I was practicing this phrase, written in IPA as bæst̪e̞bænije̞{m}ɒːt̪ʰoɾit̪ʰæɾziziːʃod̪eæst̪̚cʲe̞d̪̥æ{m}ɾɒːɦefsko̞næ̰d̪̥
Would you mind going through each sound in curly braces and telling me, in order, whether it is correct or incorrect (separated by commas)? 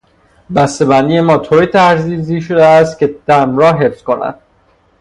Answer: correct, correct